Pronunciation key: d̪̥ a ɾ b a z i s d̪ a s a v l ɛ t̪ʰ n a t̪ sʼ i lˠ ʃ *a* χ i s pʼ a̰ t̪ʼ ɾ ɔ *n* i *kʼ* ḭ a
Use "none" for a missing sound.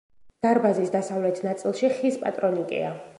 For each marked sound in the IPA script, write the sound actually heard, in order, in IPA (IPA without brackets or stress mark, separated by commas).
i, n, kʼ